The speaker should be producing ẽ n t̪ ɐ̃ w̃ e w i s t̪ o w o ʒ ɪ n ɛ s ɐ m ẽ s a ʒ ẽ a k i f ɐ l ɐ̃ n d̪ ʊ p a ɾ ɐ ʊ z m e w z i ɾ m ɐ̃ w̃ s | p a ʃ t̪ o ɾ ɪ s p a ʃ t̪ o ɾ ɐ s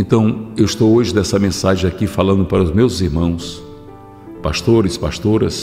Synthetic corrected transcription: ẽ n t̪ ɐ̃ w̃ e w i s t̪ o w o ʒ ɪ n ɛ s ɐ m ẽ s a ʒ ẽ a k i f a l ɐ̃ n d̪ ʊ p a ɾ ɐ ʊ z m e w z i ɾ m ɐ̃ w̃ s | p a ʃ t̪ o ɾ ɪ s p a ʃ t̪ o ɾ ɐ s

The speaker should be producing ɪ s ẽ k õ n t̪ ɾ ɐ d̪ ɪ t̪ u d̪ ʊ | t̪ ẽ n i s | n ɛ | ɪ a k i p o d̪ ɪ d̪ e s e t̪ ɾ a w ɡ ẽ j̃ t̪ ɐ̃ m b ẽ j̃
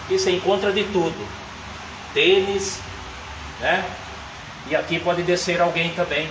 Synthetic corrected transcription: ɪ s ẽ k õ n t̪ ɾ ɐ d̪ ɪ t̪ u d̪ ʊ | t̪ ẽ n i s | n ɛ | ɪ a k i p ɔ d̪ ɪ d̪ e s e ɾ a w ɡ ẽ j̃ t̪ ɐ̃ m b ẽ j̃

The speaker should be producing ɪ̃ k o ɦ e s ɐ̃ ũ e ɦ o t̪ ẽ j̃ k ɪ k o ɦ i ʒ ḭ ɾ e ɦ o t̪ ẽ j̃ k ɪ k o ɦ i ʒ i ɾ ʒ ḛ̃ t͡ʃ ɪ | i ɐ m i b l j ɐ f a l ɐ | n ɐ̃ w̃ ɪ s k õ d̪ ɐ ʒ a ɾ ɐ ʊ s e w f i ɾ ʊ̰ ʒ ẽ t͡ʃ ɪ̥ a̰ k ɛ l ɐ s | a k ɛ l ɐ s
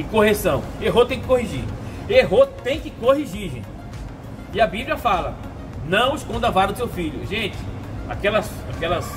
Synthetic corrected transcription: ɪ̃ k o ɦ e s ɐ̃ w̃ e ɦ o t̪ ẽ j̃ k ɪ k o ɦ i ʒ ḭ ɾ e ɦ o t̪ ẽ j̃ k ɪ k o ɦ i ʒ i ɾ ʒ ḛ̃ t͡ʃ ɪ | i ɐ b i b l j ɐ f a l ɐ | n ɐ̃ w̃ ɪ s k õ d̪ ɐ v a ɾ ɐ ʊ s e w f i ʎ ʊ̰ ʒ ẽ t͡ʃ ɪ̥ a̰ k ɛ l ɐ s | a k ɛ l ɐ s

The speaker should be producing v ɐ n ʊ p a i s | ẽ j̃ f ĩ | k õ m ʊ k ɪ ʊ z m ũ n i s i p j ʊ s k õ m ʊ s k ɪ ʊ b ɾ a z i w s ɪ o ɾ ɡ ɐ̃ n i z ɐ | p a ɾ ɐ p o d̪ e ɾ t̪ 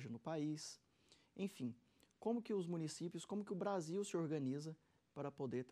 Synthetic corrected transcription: ʒ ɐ n ʊ p a i s | ẽ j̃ f ĩ | k õ m ʊ k ɪ ʊ z m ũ n i s i p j ʊ s k õ m ʊ k ɪ ʊ b ɾ a z i w s ɪ o ɾ ɡ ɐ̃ n i z ɐ | p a ɾ ɐ p o d̪ e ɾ t̪

